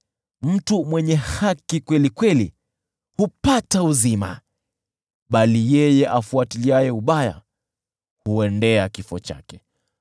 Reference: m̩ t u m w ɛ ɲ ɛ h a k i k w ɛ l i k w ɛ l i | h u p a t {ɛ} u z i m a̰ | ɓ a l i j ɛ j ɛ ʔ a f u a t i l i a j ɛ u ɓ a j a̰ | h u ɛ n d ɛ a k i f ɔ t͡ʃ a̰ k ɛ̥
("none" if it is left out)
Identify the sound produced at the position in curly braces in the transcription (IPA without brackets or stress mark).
a